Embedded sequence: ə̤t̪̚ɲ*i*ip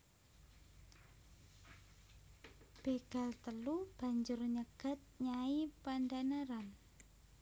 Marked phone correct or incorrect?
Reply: incorrect: a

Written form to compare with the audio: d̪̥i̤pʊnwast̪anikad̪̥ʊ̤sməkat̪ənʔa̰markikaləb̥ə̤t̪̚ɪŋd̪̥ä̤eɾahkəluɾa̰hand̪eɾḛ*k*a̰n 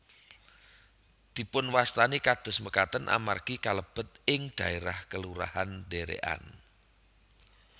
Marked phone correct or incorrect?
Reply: incorrect: ʔ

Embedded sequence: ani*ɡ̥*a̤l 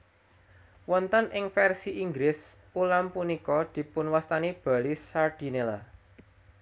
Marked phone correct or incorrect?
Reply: incorrect: b̥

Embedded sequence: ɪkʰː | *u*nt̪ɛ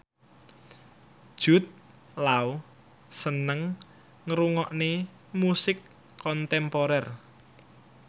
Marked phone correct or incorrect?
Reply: incorrect: ɔ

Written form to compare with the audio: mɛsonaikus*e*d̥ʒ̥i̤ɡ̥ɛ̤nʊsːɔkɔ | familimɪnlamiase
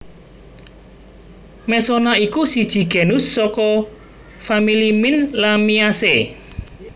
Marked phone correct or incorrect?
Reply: incorrect: i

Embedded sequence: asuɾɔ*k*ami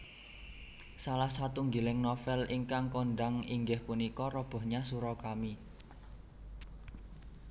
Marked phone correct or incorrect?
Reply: correct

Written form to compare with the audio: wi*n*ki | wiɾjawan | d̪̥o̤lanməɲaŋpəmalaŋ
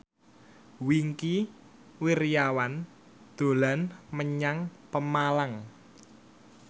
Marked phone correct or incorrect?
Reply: incorrect: ŋ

